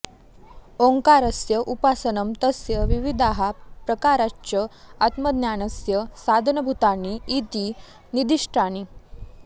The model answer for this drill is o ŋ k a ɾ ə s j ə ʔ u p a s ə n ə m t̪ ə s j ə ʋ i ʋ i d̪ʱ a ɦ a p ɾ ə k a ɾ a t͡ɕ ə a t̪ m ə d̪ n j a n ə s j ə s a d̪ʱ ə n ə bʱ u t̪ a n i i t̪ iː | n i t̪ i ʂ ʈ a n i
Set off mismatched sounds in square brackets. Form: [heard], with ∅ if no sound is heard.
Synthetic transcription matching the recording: o ŋ k a ɾ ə s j ə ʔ u p a s ə n ə m t̪ ə s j ə ʋ i ʋ i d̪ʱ a ɦ a p ɾ ə k a ɾ a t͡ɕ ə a t̪ m ə d̪ n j a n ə s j ə s a d̪ʱ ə n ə bʱ u t̪ a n i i t̪ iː | n i [d̪] i ʂ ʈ a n i